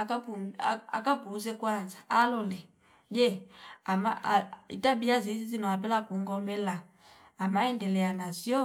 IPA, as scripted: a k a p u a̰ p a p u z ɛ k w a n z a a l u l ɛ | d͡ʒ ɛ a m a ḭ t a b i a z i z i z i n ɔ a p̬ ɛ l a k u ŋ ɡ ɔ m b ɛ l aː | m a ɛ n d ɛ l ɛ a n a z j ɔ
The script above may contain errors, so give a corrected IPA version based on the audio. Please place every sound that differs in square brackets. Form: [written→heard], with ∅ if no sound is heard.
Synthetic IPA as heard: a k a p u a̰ [p→k] a p u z ɛ k w a n z a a l [u→ɔ] l ɛ | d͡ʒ ɛ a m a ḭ t a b i a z i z i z i n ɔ a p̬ ɛ l a k u ŋ ɡ ɔ m b ɛ l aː | m a ɛ n d ɛ l ɛ a n a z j ɔ

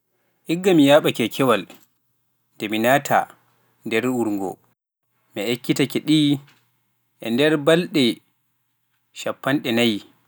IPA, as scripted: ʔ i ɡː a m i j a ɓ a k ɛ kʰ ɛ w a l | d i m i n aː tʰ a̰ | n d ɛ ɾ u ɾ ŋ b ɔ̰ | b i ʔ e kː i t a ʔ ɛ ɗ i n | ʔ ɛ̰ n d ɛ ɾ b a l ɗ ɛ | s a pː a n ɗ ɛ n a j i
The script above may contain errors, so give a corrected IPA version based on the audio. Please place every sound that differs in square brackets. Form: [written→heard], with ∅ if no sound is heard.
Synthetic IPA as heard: ʔ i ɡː a m i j a ɓ a k ɛ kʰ ɛ w a l | d [i→ɛ] m i n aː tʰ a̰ | n d ɛ ɾ u ɾ ŋ [b→ɡ] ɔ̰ | [b→m] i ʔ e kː i t a [ʔ→k] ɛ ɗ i [n→∅] | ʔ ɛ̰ n d ɛ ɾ b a l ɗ ɛ | [s→ʃ] a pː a n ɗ ɛ n a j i

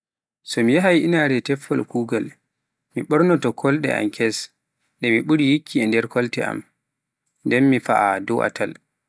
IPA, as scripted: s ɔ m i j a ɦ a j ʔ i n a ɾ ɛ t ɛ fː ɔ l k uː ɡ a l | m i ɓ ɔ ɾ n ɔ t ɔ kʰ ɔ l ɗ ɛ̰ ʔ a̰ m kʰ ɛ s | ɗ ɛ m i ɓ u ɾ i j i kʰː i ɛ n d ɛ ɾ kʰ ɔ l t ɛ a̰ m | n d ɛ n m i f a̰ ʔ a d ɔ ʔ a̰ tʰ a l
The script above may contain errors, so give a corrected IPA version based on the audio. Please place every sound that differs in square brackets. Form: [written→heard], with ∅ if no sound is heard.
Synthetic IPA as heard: s ɔ m i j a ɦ a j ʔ i n a ɾ ɛ t ɛ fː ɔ l k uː ɡ a l | m i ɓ ɔ ɾ n ɔ t ɔ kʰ ɔ l ɗ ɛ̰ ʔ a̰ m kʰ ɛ s | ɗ ɛ m i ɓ u ɾ i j i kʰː i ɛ n d ɛ ɾ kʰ ɔ l t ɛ a̰ m | n d ɛ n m i f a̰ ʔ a d ɔ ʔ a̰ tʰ a l

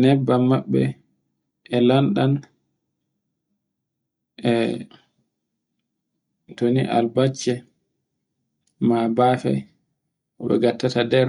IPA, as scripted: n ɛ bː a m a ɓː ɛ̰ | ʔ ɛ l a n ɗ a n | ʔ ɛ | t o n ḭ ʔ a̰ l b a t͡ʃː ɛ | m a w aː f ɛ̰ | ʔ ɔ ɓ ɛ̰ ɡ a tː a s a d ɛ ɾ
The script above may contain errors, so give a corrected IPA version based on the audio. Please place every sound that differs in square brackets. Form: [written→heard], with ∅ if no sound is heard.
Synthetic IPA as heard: n ɛ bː a m a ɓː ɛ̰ | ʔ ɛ l a n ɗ a n | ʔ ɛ | t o n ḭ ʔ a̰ l b a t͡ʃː ɛ | m a [w→b] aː f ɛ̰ | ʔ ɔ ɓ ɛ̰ ɡ a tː a [s→t] a d ɛ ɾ

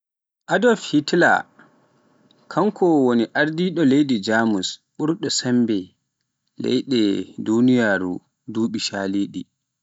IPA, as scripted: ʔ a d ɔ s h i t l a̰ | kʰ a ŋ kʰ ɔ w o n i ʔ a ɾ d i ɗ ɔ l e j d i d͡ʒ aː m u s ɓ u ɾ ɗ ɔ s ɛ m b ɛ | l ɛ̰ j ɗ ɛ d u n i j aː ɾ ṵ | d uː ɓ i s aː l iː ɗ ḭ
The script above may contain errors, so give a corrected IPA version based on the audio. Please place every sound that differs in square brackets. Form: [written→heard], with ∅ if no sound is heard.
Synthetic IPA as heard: ʔ a d ɔ [s→f] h i t l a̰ | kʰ a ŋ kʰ ɔ w o n i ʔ a ɾ d i ɗ ɔ l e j d i d͡ʒ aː m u s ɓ u ɾ ɗ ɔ s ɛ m b ɛ | l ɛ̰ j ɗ ɛ d u n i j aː ɾ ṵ | d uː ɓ i [s→ʃ] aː l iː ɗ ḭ

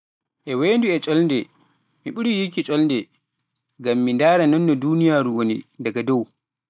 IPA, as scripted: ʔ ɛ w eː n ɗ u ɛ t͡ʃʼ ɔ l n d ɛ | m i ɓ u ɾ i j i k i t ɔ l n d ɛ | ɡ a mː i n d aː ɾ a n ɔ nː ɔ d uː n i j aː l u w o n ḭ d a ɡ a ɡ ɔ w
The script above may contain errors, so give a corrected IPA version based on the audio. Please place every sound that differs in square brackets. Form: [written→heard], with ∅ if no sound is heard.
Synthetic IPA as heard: ʔ ɛ w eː n [ɗ→d] u ɛ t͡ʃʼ ɔ l n d ɛ | m i ɓ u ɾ i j i k i [t→t͡ʃʼ] ɔ l n d ɛ | ɡ a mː i n d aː ɾ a n ɔ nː ɔ d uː n i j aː [l→ɾ] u w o n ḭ d a ɡ a [ɡ→d] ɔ w

